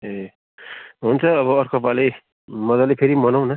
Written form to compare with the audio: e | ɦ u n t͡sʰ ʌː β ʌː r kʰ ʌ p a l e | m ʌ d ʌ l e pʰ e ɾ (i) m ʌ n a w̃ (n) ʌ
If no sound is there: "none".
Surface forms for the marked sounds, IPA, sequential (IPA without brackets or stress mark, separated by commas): i, n